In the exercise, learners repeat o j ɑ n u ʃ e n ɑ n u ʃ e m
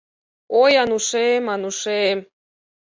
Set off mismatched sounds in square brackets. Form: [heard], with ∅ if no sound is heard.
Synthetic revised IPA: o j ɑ n u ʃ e [m] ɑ n u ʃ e m